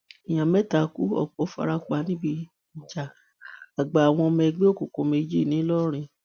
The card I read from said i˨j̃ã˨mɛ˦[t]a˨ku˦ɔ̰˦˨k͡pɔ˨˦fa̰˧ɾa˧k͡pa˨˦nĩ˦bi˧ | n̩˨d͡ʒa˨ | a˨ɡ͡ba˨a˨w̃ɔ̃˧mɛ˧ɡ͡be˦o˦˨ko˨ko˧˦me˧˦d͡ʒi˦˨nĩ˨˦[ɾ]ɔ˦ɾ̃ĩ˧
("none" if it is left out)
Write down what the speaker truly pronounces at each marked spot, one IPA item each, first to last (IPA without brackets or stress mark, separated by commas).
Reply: t, l